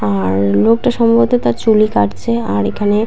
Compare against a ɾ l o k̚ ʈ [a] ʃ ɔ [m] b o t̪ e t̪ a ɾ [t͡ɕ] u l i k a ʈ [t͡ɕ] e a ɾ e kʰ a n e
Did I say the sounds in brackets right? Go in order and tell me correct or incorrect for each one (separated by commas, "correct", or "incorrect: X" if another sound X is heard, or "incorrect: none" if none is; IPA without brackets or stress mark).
correct, correct, correct, incorrect: t͡ɕʰ